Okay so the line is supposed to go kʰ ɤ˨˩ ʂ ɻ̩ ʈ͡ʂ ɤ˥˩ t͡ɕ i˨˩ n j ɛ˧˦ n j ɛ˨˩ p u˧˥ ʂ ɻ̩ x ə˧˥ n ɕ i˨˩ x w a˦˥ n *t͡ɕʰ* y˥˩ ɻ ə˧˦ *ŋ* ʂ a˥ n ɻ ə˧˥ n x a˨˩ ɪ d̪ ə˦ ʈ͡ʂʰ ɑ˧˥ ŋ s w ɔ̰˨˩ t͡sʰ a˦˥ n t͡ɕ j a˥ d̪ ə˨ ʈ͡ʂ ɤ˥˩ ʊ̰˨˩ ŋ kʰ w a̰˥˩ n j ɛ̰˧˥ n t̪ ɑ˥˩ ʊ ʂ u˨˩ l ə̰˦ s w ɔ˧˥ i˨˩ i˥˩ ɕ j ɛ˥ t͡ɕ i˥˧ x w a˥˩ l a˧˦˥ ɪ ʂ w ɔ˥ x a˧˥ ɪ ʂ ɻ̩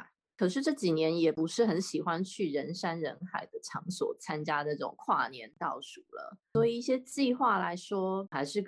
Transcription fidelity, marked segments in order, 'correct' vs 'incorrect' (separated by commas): correct, incorrect